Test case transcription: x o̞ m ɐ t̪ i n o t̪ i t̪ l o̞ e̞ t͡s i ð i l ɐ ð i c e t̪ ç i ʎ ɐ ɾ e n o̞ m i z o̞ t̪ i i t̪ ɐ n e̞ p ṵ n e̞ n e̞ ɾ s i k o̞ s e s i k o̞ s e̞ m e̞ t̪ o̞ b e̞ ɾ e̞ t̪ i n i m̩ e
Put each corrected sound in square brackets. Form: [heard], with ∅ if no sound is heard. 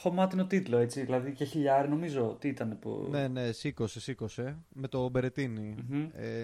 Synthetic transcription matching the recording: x o̞ m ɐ t̪ i n o t̪ i t̪ l o̞ e̞ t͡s i ð i l ɐ ð i c e [∅] ç i ʎ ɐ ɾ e n o̞ m i z o̞ t̪ i i t̪ ɐ n e̞ p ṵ n e̞ n e̞ [∅] s i k o̞ s e s i k o̞ s e̞ m e̞ t̪ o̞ b e̞ ɾ e̞ t̪ i n i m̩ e